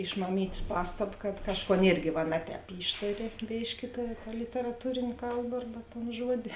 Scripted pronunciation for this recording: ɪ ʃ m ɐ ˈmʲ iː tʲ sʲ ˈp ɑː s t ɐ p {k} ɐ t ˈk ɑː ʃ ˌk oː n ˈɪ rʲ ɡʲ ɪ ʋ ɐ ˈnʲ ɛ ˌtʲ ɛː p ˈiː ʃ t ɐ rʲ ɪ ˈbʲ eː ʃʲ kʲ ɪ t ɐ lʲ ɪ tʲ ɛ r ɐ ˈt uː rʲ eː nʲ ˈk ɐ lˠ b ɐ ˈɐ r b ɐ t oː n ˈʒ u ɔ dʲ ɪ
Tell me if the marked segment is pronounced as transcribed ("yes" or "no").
yes